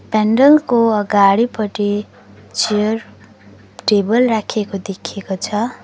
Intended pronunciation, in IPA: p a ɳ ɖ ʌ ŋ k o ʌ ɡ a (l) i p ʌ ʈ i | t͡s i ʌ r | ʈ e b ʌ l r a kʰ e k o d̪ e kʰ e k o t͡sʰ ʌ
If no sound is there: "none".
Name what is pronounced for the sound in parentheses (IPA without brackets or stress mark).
ɽ